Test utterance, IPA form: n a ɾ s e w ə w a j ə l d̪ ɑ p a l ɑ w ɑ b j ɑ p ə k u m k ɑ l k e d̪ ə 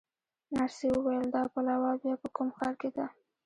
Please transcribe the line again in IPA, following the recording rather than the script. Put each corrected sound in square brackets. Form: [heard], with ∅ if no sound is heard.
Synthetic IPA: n a ɾ s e w ə w a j ə l d̪ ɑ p a l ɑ w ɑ b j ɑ p ə k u m [x] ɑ [ɾ] k e d̪ [a]